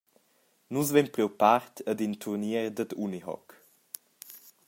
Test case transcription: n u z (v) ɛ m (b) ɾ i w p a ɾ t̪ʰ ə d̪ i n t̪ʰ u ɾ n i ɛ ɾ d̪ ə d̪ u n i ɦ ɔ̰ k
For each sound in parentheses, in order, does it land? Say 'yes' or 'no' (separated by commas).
yes, no